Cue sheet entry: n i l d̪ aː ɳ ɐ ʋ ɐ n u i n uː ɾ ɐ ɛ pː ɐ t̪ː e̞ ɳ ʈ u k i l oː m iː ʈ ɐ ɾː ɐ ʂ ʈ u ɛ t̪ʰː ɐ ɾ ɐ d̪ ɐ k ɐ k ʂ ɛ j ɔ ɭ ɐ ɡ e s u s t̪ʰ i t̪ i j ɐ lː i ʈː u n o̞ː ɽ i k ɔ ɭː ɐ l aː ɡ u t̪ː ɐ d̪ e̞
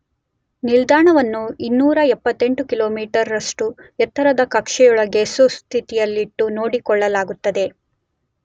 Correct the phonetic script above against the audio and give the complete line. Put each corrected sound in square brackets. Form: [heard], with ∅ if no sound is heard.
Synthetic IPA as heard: n i l d̪ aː ɳ ɐ ʋ ɐ [nː] u i [nː] uː ɾ ɐ ɛ pː ɐ t̪ː e̞ ɳ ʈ u k i l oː m iː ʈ ɐ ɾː ɐ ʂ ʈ u ɛ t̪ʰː ɐ ɾ ɐ d̪ ɐ k ɐ k ʂ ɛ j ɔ ɭ ɐ ɡ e s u s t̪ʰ i t̪ i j ɐ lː i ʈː u n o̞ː ɽ i k ɔ ɭː ɐ l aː ɡ u t̪ː ɐ d̪ e̞

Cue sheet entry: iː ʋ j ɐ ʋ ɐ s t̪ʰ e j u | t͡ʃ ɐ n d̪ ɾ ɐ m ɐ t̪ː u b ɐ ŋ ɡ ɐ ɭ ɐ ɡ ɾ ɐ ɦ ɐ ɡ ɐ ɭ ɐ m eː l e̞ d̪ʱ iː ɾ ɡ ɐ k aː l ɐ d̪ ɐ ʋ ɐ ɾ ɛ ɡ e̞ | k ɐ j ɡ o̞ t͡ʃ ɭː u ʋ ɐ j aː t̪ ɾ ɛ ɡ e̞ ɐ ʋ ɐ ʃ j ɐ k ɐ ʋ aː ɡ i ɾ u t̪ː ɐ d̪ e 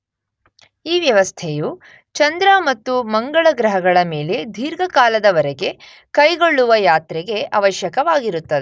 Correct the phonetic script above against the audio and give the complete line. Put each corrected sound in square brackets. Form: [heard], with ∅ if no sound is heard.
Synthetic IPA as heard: iː ʋ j ɐ ʋ ɐ s t̪ʰ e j u | t͡ʃ ɐ n d̪ ɾ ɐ m ɐ t̪ː u [m] ɐ ŋ ɡ ɐ ɭ ɐ ɡ ɾ ɐ ɦ ɐ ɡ ɐ ɭ ɐ m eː l e̞ d̪ʱ iː ɾ ɡ ɐ k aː l ɐ d̪ ɐ ʋ ɐ ɾ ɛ ɡ e̞ | k ɐ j ɡ o̞ [∅] ɭː u ʋ ɐ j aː t̪ ɾ ɛ ɡ e̞ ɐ ʋ ɐ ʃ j ɐ k ɐ ʋ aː ɡ i ɾ u t̪ː ɐ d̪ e

